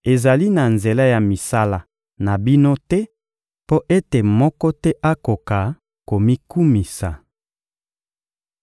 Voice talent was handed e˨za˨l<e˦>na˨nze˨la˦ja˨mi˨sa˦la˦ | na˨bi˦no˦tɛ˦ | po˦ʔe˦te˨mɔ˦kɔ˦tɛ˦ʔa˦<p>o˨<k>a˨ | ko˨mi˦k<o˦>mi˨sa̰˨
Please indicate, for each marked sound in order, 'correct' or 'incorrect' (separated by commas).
incorrect, incorrect, correct, incorrect